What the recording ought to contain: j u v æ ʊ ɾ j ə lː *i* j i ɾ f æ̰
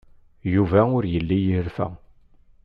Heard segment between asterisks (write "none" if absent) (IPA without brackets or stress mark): i